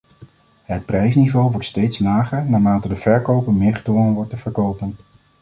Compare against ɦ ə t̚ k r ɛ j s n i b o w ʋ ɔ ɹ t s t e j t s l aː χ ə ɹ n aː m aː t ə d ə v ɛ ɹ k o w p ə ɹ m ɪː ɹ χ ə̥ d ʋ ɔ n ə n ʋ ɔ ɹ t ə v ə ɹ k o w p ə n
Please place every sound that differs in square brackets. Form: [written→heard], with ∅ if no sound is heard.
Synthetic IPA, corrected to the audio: ɦ ə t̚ [k→p] r ɛ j s n i [b→v] o w ʋ ɔ ɹ t s t e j t s l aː χ ə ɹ n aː m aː t ə d ə v ɛ ɹ k o w p ə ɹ m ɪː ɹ χ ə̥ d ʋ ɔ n ə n ʋ ɔ ɹ t ə v ə ɹ k o w p ə n